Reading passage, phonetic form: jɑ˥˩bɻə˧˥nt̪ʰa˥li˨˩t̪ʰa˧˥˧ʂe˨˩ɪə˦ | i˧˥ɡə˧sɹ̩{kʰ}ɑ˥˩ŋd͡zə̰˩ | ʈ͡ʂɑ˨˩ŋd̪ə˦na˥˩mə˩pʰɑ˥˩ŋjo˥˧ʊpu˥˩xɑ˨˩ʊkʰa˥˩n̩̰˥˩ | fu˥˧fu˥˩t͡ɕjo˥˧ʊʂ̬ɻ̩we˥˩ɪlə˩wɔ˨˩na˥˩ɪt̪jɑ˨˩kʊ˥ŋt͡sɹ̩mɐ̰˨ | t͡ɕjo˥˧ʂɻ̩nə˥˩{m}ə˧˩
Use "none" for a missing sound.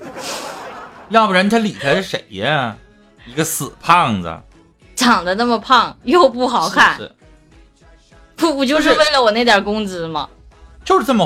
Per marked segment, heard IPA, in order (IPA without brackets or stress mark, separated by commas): pʰ, m